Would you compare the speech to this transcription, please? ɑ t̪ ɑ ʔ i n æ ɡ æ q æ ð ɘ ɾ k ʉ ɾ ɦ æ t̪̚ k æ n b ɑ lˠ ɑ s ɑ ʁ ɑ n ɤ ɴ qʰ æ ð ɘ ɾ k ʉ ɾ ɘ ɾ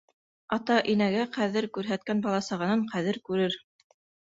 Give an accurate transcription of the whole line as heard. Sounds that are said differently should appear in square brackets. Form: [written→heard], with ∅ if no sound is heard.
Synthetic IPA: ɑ t̪ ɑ ʔ i n æ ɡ æ q æ ð ɘ ɾ k ʉ ɾ ɦ æ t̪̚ k æ n b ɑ lˠ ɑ s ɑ ʁ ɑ n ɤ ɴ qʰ æ ð ɘ ɾ k ʉ ɾ ɘ ɾ